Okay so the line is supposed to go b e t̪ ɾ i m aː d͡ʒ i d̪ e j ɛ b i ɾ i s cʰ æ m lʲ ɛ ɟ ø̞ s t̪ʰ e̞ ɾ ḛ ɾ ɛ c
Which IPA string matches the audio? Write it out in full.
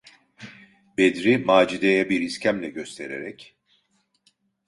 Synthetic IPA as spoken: b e d̪ ɾ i m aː d͡ʒ i d̪ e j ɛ b i ɾ i s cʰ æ m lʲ ɛ ɟ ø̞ s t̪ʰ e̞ ɾ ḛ ɾ ɛ c